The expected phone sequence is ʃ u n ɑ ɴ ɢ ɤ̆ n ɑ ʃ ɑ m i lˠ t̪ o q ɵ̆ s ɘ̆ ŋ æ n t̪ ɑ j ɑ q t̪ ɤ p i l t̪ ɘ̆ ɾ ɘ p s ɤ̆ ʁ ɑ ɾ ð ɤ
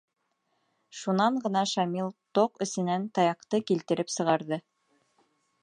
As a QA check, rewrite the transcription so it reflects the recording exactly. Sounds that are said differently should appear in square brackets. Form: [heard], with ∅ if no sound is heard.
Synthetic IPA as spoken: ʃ u n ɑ ɴ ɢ ɤ̆ n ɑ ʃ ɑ m i lˠ t̪ o q ɵ̆ s ɘ̆ [n] æ n t̪ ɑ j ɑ q t̪ ɤ [k] i l t̪ ɘ̆ ɾ ɘ p s ɤ̆ ʁ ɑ ɾ ð ɤ